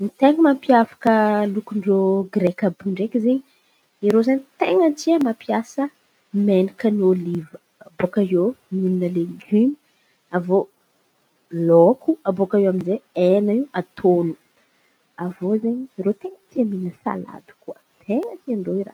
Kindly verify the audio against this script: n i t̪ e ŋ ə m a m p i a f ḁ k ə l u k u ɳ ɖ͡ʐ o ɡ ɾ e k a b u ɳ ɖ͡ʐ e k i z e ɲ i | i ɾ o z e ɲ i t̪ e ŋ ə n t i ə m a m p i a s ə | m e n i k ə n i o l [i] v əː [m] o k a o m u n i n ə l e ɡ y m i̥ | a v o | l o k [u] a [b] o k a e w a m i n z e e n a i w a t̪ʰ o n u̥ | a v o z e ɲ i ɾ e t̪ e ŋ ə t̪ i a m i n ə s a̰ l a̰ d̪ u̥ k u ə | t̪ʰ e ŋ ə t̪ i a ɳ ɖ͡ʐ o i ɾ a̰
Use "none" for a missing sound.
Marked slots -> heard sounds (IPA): i, b, u, b

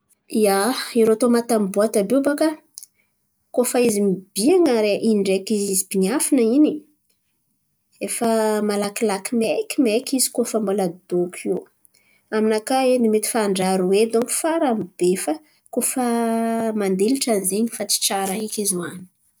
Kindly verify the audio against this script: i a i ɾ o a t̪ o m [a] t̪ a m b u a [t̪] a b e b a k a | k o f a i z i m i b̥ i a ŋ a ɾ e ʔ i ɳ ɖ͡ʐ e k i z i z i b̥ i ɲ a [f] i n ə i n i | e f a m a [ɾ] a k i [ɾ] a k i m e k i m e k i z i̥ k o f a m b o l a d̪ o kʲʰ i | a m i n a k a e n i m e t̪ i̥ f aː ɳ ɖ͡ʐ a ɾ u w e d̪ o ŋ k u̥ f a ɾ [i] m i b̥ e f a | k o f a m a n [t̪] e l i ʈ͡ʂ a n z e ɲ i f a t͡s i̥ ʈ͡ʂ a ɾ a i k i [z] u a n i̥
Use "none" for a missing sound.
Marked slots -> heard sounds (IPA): a, t̪, f, l, l, a, d̪, z

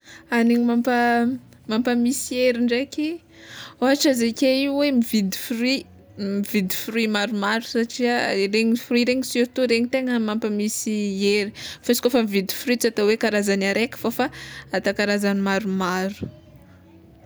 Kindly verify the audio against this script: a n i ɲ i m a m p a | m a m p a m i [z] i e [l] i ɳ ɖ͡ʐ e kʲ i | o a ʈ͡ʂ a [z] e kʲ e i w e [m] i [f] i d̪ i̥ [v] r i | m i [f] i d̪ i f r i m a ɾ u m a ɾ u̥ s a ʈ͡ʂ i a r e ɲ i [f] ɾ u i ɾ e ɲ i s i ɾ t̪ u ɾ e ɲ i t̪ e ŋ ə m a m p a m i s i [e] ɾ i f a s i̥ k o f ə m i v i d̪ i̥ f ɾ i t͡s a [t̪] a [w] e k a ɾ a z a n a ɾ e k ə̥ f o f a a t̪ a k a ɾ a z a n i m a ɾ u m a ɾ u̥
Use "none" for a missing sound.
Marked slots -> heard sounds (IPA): s, ɾ, z, m, v, f, v, f, e, t̪, w

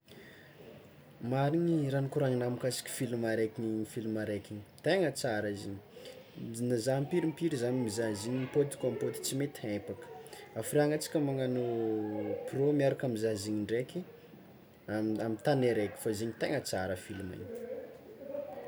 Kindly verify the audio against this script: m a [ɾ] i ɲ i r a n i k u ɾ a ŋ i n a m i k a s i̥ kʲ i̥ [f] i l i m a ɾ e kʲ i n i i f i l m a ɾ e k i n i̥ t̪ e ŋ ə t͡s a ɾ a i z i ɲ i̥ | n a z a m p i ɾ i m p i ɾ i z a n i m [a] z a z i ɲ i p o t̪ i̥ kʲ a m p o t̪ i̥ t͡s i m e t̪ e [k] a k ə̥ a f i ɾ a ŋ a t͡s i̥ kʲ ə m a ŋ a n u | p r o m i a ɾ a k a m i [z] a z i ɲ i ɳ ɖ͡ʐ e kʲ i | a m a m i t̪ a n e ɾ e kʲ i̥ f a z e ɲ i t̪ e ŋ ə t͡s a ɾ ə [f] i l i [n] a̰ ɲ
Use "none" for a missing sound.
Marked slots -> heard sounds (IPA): ɾ, f, i, p, z, f, m

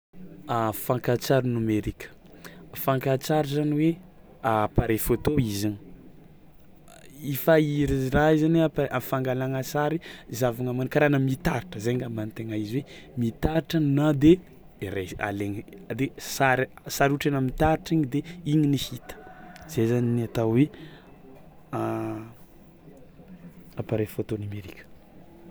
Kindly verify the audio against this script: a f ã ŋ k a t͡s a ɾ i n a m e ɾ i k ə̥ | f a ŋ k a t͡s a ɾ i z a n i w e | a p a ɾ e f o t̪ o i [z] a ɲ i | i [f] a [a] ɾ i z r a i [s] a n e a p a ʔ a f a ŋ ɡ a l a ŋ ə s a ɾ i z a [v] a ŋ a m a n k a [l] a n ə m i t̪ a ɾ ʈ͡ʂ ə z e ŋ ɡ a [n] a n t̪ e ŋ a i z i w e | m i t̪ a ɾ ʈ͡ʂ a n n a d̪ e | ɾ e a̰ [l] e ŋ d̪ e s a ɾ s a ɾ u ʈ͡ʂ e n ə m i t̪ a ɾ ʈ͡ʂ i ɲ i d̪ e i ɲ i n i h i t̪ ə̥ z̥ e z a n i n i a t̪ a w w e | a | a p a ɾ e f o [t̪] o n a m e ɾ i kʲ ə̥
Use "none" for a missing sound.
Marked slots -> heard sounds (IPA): z, f, i, z, v, ɾ, m, l, t̪

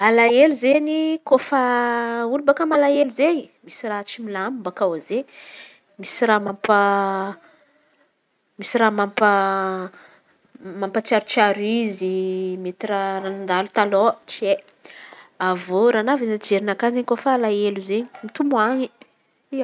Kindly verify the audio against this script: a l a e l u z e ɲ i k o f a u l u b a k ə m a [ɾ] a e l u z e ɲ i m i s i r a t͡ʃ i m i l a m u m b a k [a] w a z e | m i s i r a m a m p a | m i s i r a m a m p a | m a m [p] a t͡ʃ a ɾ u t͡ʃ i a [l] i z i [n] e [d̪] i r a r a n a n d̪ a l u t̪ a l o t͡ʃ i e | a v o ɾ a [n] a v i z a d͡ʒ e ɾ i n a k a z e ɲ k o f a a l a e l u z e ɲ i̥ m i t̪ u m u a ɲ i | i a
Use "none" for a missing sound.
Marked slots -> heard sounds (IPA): l, a, p, ɾ, m, t̪, n

